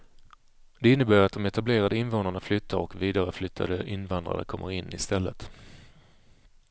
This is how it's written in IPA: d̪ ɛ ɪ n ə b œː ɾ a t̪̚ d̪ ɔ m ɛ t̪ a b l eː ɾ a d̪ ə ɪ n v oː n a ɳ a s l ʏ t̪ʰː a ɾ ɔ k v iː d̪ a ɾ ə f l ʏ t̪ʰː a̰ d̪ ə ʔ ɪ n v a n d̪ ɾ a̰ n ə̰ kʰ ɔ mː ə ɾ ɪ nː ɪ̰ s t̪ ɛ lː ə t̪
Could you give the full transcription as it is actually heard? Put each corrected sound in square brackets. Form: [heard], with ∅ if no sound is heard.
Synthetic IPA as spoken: d̪ ɛ ɪ [nː] ə b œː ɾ a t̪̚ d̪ ɔ m ɛ t̪ a b l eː ɾ a d̪ ə ɪ n v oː n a ɳ a [f] l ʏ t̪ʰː a ɾ ɔ k v iː d̪ a ɾ ə f l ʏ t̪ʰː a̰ d̪ ə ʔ ɪ n v a n d̪ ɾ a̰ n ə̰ kʰ ɔ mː ə ɾ ɪ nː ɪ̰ s t̪ ɛ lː ə t̪